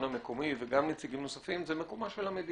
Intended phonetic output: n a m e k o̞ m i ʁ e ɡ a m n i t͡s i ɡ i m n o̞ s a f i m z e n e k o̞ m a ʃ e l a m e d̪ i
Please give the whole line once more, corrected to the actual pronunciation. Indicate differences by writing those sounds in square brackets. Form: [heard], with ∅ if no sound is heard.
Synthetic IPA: n a m e k o̞ m i [v] e ɡ a m n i t͡s i ɡ i m n o̞ s a f i m z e [m] e k o̞ m a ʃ e l a m e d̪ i